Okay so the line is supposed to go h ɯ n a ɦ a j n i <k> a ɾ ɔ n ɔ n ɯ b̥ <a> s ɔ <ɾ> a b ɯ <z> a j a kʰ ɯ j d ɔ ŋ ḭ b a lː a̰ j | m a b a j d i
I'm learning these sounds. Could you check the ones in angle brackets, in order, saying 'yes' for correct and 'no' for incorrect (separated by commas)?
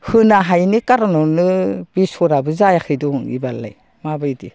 yes, no, yes, yes